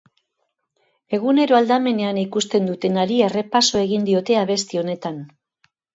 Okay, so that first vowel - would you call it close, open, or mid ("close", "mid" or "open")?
mid